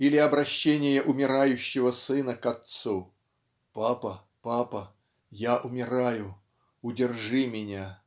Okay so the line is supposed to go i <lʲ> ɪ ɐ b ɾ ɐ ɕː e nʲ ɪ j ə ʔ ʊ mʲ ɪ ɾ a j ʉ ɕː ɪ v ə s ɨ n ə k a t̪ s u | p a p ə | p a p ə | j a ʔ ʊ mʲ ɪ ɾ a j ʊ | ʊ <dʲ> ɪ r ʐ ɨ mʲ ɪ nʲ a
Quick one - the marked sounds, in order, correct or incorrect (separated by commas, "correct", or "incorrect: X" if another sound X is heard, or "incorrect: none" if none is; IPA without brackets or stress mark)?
correct, correct